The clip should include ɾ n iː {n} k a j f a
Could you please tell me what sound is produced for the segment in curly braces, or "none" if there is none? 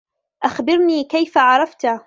none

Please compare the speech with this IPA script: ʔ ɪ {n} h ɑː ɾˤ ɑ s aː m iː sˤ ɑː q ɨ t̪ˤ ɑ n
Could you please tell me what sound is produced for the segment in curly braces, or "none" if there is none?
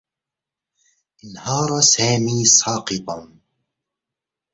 n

